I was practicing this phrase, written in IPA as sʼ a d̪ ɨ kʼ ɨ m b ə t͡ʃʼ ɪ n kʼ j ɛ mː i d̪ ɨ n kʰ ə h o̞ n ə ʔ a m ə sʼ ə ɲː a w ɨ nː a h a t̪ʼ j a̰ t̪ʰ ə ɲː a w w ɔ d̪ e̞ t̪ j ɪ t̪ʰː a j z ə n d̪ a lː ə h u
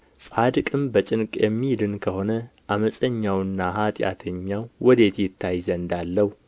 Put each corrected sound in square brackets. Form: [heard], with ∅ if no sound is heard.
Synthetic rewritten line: sʼ a d̪ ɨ kʼ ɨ m b ə t͡ʃʼ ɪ n kʼ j ɛ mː i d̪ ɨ n kʰ ə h o̞ n ə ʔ a m ə sʼ ə ɲː a w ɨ nː a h a t̪ʼ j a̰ t̪ʰ ə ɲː a w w ɔ d̪ e̞ t̪ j ɪ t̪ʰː a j z ə n d̪ a lː ə h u